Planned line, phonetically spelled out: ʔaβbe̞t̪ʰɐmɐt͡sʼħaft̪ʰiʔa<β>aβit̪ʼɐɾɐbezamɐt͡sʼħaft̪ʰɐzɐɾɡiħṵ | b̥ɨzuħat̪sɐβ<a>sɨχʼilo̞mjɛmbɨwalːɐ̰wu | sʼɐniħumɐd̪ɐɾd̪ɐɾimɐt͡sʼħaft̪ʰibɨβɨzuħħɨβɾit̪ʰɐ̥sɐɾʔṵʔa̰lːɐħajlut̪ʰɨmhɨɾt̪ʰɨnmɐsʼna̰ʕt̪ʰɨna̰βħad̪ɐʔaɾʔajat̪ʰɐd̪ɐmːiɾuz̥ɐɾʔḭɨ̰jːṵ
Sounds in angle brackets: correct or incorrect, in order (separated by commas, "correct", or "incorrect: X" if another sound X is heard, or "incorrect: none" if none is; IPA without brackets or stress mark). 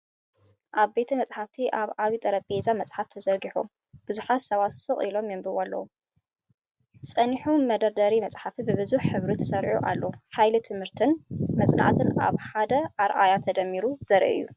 correct, correct